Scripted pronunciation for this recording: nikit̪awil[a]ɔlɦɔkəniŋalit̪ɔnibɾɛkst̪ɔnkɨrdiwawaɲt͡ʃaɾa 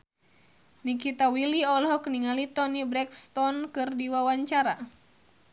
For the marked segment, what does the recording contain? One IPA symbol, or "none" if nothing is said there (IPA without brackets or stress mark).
i